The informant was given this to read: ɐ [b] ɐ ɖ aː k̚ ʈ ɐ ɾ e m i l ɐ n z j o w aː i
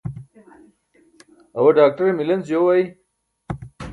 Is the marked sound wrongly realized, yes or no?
yes